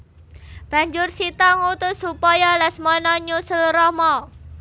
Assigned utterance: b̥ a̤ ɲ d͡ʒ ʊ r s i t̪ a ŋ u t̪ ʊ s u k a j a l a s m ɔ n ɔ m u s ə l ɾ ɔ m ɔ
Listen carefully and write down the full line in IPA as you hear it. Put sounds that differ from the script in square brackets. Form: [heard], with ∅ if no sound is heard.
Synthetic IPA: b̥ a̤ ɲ d͡ʒ ʊ r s i t̪ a ŋ u t̪ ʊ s u [p] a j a l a s m ɔ n ɔ [ɲ] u s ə l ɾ ɔ m ɔ